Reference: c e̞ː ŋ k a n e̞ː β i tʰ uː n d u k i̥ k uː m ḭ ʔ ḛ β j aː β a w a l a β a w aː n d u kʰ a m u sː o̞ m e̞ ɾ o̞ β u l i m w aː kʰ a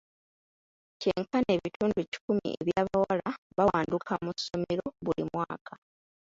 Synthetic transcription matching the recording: c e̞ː ŋ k a n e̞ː β i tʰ uː n d u c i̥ k u m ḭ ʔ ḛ β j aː β a w a l a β a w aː n d u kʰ a m u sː o̞ m e̞ ɾ o̞ β u l i m w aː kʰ a

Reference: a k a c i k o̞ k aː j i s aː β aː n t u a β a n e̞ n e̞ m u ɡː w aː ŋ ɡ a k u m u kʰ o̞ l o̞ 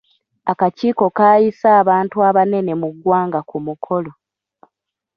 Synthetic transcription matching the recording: a k a c iː k o̞ k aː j i s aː β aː n t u a β a n e̞ n e̞ m u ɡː w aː ŋ ɡ a k u m u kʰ o̞ l o̞

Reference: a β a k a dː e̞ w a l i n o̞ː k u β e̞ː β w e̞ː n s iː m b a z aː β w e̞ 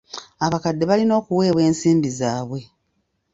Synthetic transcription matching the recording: a β a k a dː e̞ β a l i n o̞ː k u w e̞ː β w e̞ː n s iː m b i z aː β w e̞

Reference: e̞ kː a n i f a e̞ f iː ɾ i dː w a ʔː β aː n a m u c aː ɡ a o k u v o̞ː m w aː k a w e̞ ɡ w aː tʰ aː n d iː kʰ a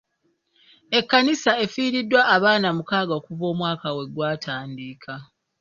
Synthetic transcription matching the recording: e̞ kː a n i s a e̞ f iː ɾ i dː w a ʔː β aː n a m u k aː ɡ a o k u v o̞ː m w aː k a w e̞ ɡ w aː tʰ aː n d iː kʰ a

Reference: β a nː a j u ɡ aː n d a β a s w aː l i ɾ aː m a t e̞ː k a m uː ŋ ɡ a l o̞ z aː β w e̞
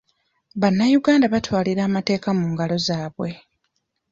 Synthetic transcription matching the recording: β a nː a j u ɡ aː n d a β a t w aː l i ɾ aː m a t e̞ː k a m uː ŋ ɡ a l o̞ z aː β w e̞

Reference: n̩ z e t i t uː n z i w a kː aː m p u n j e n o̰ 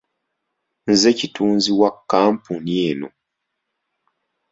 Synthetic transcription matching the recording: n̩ z e c i t uː n z i w a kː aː m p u n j e n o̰

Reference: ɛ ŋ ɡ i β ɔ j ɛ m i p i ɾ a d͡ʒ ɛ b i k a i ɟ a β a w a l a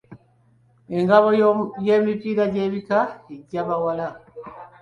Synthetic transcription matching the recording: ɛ ŋ ɡ a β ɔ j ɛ m i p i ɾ a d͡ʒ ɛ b i k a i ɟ a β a w a l a

